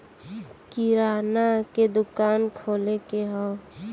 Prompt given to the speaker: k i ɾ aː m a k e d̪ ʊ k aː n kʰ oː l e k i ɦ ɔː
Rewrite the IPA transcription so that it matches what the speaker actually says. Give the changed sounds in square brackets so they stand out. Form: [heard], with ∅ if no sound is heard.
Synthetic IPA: k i ɾ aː [n] a k e d̪ ʊ k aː n kʰ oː l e k [e] ɦ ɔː